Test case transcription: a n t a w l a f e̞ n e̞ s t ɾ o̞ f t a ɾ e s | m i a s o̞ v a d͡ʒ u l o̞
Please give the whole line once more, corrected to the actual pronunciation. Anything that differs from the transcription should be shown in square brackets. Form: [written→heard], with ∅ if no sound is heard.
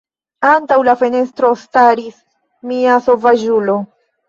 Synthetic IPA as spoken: a n t a w l a f e̞ n e̞ s t ɾ o̞ [f→s] t a ɾ [e→i] s | m i a s o̞ v a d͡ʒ u l o̞

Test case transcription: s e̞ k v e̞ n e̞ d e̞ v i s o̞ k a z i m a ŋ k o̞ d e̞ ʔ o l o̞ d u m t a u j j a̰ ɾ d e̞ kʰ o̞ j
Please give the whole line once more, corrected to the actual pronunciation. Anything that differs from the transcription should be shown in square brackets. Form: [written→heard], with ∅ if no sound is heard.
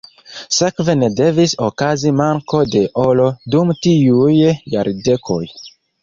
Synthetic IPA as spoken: s e̞ k v e̞ n e̞ d e̞ v i s o̞ k a z i m a ŋ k o̞ d e̞ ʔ o l o̞ d u m t [a→i] u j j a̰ ɾ d e̞ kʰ o̞ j

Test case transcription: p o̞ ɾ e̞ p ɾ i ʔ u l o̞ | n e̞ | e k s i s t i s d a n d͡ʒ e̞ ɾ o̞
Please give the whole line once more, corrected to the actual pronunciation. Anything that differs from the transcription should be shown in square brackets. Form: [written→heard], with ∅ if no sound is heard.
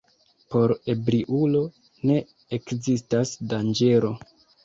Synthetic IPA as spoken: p o̞ ɾ e̞ [p→b] ɾ i ʔ u l o̞ | n e̞ | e k [s→z] i s t [i→a] s d a n d͡ʒ e̞ ɾ o̞

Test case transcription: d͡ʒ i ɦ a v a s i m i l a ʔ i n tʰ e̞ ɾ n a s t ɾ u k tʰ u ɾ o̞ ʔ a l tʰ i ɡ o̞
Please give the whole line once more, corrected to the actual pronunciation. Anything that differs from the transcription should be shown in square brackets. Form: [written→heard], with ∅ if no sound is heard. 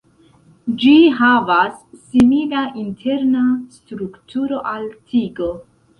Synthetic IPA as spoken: d͡ʒ i ɦ a v a [s→sː] i m i l a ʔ i n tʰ e̞ ɾ n a s t ɾ u k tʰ u ɾ o̞ ʔ a l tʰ i ɡ o̞

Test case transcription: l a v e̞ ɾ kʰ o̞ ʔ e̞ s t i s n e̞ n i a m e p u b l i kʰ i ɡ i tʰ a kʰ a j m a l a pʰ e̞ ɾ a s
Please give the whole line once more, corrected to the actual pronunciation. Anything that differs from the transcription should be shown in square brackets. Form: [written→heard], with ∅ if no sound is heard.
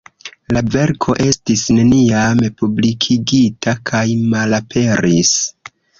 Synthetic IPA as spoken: l a v e̞ ɾ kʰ o̞ ʔ e̞ s t i s n e̞ n i a m e p u b l i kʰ i ɡ i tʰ a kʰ a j m a l a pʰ e̞ ɾ [a→i] s

